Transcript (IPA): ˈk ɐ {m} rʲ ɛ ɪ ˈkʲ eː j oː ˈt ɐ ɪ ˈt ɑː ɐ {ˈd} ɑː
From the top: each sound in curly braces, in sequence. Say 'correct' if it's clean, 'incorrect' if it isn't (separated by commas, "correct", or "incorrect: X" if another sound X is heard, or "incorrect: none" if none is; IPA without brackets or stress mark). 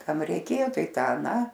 correct, incorrect: n